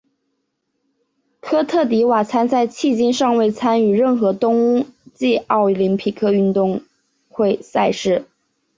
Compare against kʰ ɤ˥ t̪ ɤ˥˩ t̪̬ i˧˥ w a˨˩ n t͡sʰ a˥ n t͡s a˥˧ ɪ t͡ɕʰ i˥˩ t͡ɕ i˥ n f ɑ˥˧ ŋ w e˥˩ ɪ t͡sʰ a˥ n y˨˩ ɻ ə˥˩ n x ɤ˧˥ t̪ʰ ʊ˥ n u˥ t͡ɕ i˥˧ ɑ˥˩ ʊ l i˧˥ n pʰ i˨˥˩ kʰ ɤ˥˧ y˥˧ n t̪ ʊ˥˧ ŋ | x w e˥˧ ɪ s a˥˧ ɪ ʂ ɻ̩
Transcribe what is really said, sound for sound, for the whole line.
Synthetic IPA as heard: kʰ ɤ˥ t̪ʰ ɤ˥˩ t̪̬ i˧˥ w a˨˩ t͡sʰ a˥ n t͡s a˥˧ ɪ t͡ɕʰ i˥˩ t͡ɕ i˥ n ʂ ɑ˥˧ ŋ w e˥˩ ɪ t͡sʰ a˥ n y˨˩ ɻ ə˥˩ n x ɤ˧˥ t̪ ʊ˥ ŋ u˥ t͡ɕ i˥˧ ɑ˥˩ ʊ l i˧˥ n pʰ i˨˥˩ kʰ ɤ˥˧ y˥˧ n t̪ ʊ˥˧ ŋ | x w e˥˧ ɪ s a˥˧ ɪ ʂ ɻ̩

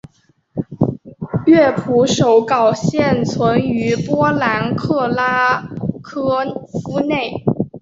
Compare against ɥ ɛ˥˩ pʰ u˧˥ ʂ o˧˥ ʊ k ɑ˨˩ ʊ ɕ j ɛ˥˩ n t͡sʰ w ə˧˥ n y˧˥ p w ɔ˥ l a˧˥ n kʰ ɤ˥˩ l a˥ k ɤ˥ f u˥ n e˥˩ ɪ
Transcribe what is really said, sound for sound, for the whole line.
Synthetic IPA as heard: ɥ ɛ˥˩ pʰ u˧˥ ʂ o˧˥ ʊ k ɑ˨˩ ʊ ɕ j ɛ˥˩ n t͡sʰ w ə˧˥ n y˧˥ p w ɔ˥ l a˧˥ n kʰ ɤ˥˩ l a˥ kʰ ɤ˥ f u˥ n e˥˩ ɪ

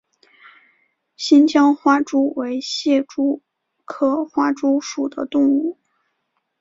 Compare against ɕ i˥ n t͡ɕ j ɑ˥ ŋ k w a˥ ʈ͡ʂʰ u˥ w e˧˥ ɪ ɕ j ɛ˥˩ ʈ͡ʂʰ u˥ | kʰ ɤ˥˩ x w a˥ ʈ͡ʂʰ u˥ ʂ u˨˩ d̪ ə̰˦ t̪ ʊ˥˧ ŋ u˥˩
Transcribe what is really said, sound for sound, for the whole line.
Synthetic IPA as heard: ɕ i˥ n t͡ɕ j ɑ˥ ŋ x w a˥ ʈ͡ʂ u˥ w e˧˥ ɪ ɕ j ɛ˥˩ ʈ͡ʂ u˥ | kʰ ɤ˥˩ x w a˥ ʈ͡ʂ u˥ ʂ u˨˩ d̪ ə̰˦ t̪ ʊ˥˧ ŋ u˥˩

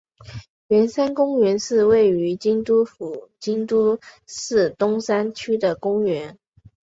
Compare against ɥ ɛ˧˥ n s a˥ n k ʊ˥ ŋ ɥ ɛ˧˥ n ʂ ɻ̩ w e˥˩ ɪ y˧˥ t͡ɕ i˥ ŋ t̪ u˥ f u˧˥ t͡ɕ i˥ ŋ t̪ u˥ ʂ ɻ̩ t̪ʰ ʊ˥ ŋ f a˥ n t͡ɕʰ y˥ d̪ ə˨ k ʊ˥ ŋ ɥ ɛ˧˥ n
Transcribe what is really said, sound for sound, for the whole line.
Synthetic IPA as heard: ɥ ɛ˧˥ n s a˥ n k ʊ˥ ŋ ɥ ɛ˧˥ n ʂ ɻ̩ w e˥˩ ɪ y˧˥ t͡ɕ i˥ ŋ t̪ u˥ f u˨˩ t͡ɕ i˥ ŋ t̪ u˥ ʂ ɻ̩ t̪ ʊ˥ ŋ s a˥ n t͡ɕʰ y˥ d̪ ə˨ k ʊ˥ ŋ ɥ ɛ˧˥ n

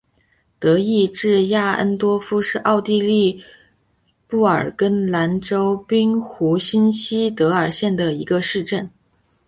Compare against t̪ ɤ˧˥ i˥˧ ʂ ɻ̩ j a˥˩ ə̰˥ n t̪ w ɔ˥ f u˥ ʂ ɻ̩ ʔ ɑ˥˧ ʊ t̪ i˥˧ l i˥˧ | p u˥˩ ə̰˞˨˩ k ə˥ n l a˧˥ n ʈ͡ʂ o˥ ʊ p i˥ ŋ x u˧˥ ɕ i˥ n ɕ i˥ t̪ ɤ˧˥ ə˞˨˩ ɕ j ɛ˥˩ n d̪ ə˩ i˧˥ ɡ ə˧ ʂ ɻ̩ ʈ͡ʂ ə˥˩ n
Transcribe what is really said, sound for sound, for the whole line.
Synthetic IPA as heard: t̪ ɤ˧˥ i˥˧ ʈ͡ʂ ɻ̩ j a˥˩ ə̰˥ n t̪ w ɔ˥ f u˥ ʂ ɻ̩ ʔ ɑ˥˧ ʊ t̪ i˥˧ l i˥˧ | p u˥˩ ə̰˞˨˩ k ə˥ n l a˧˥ n ʈ͡ʂ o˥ ʊ p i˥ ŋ x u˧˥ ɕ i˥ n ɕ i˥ t̪ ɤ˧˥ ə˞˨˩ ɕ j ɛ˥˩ n d̪ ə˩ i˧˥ ɡ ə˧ ʂ ɻ̩ ʈ͡ʂ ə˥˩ n

